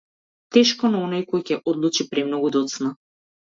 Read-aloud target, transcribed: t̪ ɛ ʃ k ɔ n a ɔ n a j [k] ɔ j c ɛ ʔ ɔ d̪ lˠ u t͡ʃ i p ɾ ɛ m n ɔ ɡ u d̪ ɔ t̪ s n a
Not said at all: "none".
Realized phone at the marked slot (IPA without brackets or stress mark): k